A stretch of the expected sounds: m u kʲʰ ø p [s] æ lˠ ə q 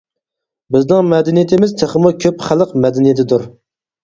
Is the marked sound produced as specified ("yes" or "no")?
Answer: no